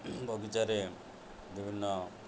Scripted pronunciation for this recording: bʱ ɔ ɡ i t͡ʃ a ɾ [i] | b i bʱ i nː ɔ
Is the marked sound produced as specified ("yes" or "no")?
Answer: no